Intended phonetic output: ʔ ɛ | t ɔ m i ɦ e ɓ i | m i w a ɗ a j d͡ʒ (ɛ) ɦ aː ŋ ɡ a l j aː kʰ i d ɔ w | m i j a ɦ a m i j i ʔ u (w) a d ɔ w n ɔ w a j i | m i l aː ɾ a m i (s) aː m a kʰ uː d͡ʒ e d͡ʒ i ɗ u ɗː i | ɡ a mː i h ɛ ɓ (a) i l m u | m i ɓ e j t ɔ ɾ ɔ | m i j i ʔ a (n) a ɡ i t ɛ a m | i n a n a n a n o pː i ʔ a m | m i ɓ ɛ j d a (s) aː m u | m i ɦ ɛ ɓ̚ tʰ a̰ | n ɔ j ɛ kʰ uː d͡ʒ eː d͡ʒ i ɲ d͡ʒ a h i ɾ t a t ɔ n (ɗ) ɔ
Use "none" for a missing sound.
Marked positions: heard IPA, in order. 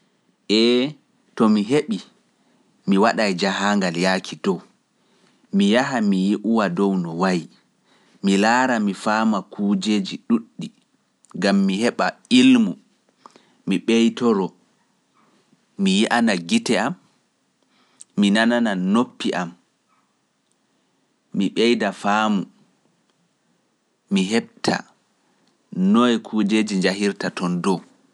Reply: a, w, f, a, n, f, d

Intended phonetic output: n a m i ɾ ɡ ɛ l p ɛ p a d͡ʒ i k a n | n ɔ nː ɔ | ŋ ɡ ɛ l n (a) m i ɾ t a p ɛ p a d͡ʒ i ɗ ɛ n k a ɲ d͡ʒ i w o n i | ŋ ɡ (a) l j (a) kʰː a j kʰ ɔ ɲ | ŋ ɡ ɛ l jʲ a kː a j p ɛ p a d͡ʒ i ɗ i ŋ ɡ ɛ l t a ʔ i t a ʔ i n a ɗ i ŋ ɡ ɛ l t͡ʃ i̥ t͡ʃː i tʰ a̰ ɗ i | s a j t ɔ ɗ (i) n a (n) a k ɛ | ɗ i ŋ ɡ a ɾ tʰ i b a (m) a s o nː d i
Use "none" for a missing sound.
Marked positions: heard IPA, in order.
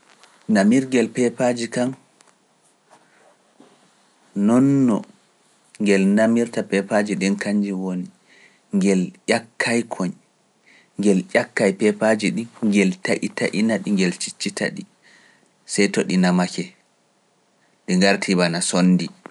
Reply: a, ɛ, a, i, m, n

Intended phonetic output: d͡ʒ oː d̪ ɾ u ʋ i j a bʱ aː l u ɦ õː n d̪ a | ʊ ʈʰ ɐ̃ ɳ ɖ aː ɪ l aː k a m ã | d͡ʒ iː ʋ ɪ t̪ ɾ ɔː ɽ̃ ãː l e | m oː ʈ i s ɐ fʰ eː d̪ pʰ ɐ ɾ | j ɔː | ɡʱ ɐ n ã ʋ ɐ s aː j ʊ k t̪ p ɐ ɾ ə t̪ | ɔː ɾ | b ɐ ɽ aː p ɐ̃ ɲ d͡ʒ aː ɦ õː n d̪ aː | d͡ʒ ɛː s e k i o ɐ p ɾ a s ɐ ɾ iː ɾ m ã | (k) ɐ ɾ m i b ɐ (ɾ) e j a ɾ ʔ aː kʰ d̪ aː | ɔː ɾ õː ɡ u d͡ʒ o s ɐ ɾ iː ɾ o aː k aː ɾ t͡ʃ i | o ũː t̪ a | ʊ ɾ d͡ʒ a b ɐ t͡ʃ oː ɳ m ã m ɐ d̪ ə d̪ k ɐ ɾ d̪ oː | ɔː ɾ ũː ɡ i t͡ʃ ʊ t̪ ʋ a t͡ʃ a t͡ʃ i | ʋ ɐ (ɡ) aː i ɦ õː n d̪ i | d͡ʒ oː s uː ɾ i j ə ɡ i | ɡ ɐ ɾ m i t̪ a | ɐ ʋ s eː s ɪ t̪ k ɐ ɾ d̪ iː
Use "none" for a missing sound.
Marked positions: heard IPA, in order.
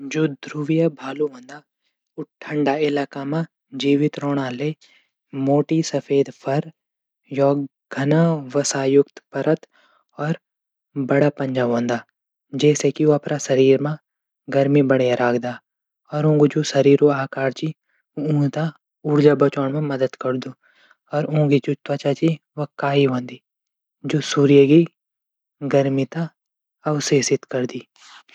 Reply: ɡ, ɽ, k

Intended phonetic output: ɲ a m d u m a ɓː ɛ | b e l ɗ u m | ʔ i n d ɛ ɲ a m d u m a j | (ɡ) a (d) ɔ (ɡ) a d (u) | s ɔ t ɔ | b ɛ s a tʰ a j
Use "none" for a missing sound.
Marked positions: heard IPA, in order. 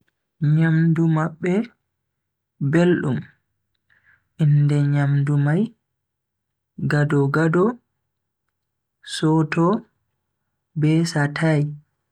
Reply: ɡ, d, ɡ, ɔ

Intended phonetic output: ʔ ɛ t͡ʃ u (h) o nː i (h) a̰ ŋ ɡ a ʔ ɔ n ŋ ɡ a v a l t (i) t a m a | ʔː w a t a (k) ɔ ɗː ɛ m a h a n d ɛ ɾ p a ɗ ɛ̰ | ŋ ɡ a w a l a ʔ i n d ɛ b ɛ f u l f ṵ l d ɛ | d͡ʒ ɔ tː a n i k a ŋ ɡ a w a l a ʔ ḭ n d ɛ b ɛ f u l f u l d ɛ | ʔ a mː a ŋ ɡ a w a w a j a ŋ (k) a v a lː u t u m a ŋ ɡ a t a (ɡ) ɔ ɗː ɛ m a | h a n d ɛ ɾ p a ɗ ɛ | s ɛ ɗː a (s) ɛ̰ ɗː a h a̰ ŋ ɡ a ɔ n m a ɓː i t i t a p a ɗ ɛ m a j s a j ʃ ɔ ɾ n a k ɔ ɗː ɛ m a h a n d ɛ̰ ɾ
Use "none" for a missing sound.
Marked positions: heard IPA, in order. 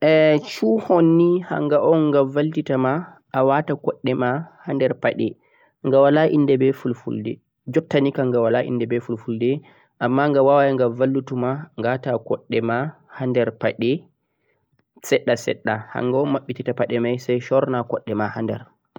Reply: h, h, i, k, ɡ, k, s

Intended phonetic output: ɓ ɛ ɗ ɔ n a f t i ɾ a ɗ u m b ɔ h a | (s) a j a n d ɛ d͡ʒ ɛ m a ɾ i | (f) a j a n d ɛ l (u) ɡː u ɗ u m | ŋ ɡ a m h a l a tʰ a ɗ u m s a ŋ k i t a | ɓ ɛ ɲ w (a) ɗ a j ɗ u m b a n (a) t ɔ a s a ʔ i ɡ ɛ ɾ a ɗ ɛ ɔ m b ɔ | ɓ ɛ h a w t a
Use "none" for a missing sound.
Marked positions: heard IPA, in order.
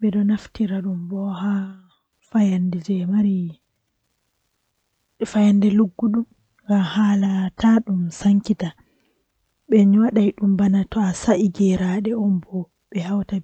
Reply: f, f, u, a, a

